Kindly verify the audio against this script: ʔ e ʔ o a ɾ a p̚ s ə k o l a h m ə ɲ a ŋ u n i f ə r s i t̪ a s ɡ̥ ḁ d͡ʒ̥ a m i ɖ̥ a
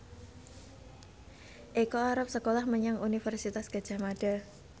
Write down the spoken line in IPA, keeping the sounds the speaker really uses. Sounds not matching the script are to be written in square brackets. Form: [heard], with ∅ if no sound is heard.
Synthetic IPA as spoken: ʔ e [k] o a ɾ a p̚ s ə k o l a h m ə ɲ a ŋ u n i f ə r s i t̪ a s ɡ̥ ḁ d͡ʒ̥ a m [a] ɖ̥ a